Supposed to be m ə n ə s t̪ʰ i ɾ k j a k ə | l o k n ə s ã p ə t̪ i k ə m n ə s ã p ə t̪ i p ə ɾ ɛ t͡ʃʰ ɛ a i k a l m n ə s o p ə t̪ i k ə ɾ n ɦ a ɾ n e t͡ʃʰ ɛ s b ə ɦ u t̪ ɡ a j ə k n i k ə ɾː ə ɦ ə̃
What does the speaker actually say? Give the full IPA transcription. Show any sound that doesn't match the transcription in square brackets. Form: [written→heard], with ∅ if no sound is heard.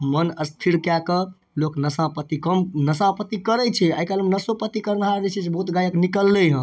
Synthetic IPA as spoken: m ə n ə s t̪ʰ i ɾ k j a k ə | l o k n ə s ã p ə t̪ i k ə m n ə s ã p ə t̪ i [p→k] ə ɾ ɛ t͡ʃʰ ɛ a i k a l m n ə s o p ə t̪ i k ə ɾ n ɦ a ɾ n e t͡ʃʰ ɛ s b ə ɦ u t̪ ɡ a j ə k n i k ə [ɾː→lː] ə ɦ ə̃